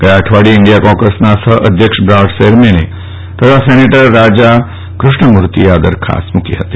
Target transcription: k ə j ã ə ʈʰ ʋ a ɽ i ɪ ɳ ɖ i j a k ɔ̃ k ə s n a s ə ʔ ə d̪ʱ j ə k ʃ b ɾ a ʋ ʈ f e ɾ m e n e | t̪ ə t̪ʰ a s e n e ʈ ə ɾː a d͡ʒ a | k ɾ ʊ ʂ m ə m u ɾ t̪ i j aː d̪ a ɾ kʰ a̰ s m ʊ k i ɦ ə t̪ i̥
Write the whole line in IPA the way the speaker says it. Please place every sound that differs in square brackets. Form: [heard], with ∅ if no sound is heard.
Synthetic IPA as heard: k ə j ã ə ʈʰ ʋ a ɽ i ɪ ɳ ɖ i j a k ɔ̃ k ə s n a s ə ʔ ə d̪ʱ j ə k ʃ b ɾ a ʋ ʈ [s] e ɾ m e n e | t̪ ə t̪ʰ a s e n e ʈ ə ɾː a d͡ʒ a | k ɾ ʊ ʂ [ɳ] ə m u ɾ t̪ i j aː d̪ [ə] ɾ kʰ a̰ s m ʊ k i ɦ ə t̪ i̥